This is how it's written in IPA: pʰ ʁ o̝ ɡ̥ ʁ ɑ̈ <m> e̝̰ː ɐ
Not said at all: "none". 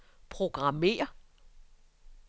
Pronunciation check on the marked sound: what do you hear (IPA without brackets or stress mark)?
m